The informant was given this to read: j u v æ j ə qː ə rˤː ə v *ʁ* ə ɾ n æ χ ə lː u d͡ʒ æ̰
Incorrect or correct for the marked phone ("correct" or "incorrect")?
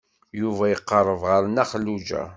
correct